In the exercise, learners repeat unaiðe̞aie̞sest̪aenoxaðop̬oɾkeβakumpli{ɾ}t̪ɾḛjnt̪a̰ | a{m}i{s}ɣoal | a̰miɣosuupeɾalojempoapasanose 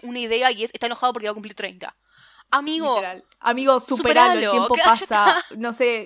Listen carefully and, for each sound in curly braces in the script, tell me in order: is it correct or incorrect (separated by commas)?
correct, correct, incorrect